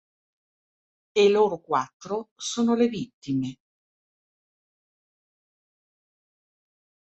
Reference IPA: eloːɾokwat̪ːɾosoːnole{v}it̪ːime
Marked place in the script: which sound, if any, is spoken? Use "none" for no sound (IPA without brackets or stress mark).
v